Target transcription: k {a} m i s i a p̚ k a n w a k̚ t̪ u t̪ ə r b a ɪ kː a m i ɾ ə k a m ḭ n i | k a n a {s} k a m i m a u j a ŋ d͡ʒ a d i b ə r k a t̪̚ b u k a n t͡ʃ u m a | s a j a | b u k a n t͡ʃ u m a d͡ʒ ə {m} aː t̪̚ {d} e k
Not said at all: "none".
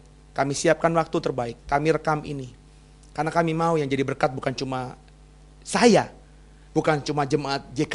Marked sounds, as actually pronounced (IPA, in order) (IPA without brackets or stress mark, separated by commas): a, none, m, d͡ʒ